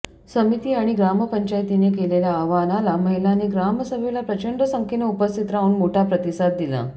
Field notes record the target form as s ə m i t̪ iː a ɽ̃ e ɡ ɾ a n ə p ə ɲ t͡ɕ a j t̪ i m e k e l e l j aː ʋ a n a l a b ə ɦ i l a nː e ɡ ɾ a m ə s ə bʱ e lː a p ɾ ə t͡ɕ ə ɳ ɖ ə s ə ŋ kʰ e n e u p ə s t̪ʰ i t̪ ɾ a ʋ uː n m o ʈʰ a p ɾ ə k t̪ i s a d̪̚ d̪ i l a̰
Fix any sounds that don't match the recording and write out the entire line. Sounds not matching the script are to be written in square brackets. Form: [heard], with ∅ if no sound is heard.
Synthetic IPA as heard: s ə m i t̪ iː a ɽ̃ [i] ɡ ɾ a [m] ə p ə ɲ t͡ɕ a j t̪ i [n] e k e l e l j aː ʋ a n a l a [m] ə ɦ i l a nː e ɡ ɾ a m ə s ə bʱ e [l] a p ɾ ə t͡ɕ ə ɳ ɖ ə s ə ŋ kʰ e n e u p ə s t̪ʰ i t̪ ɾ a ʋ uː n m o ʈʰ a p ɾ ə [∅] t̪ i s a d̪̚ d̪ i l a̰